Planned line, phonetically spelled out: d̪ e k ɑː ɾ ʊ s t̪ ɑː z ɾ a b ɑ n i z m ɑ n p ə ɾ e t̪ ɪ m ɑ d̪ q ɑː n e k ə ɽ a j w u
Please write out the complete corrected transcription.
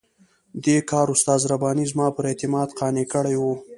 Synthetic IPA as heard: d̪ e k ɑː ɾ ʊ s t̪ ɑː z ɾ a b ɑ n i z m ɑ p ə ɾ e t̪ ɪ m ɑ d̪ q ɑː n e k ə ɽ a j w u